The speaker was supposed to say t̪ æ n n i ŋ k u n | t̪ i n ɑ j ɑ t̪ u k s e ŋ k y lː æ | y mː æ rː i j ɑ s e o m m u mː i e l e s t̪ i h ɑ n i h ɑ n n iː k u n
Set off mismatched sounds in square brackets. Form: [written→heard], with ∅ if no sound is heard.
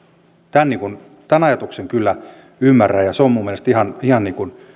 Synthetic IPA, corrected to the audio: t̪ æ n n i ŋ k u n | t̪ [i→æ] n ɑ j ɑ t̪ u k s e ŋ k y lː æ | y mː æ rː [i→æ] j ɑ s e o m m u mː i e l e s t̪ i h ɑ n i h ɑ n n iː k u n

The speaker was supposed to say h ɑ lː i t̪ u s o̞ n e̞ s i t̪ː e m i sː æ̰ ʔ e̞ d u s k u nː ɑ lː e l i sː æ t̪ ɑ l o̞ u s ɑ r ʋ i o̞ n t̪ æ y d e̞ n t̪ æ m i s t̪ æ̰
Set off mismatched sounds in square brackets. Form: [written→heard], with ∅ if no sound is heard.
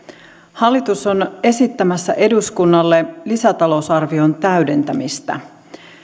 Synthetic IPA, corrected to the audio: h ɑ lː i t̪ u s o̞ n e̞ s i t̪ː [e→æ] m [i→æ] sː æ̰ ʔ e̞ d u s k u nː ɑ lː e l i [sː→s] æ t̪ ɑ l o̞ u s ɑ r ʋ i o̞ n t̪ æ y d e̞ n t̪ æ m i s t̪ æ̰

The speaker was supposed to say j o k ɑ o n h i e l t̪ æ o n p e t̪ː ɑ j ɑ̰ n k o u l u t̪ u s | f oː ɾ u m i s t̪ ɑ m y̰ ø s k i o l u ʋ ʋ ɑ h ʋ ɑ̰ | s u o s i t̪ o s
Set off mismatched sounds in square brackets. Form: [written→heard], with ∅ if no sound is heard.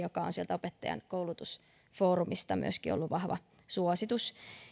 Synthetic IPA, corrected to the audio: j o k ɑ o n [h→s] i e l t̪ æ o [n→∅] p e t̪ː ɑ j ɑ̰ n k o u l u t̪ u s | f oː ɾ u m i s t̪ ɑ m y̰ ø s k i o [l→lː] u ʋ ʋ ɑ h ʋ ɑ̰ | s u o s i t̪ [o→u] s

